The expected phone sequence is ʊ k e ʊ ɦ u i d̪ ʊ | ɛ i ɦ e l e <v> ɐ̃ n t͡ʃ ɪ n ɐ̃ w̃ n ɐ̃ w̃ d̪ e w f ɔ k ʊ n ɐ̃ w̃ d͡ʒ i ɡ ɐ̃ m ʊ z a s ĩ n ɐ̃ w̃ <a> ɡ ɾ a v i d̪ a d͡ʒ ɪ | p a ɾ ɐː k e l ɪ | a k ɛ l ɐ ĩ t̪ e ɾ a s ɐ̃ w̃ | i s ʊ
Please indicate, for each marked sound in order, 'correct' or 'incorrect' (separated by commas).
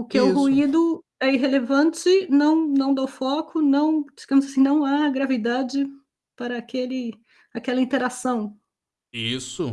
correct, correct